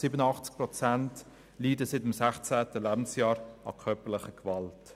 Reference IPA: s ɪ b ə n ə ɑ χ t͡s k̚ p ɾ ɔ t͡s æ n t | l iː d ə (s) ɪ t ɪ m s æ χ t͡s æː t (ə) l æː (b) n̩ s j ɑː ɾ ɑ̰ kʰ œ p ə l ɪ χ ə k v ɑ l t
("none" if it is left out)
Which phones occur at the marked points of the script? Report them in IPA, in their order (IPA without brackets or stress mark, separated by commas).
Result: s, ə, b